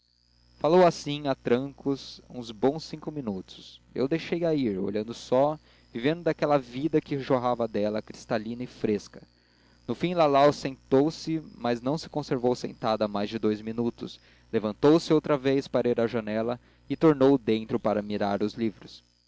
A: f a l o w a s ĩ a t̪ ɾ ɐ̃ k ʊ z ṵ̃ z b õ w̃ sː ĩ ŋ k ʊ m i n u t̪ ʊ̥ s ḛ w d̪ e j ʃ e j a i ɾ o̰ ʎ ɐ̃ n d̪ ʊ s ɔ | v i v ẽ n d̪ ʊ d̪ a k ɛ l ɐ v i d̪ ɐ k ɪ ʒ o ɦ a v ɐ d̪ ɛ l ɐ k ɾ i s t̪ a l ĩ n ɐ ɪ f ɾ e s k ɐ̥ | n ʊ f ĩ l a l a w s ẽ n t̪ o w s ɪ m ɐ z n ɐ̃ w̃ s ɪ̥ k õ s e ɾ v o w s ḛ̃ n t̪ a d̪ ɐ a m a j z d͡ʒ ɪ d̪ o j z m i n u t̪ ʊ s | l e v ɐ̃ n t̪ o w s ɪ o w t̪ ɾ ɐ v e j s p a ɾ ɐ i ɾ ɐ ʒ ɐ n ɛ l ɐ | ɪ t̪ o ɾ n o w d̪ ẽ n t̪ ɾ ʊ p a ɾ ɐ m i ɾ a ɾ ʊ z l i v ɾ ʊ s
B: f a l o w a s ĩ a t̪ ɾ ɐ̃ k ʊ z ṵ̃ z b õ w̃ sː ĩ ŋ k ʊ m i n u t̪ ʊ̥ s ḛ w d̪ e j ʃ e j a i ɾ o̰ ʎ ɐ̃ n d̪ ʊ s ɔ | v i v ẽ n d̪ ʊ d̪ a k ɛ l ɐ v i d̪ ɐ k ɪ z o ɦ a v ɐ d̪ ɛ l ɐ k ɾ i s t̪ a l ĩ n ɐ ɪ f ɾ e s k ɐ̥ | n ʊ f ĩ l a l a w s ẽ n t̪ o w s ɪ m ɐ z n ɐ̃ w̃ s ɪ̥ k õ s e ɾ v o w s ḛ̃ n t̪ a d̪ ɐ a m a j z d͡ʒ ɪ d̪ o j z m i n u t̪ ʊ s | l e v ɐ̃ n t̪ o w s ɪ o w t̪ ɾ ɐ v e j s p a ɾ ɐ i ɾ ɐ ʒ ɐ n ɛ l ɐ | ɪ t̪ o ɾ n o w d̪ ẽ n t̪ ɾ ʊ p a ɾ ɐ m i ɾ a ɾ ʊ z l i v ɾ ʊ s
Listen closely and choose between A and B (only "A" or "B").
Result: A